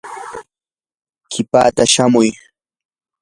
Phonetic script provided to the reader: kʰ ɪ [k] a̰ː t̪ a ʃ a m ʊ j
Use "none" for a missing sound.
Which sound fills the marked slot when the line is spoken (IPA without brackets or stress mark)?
p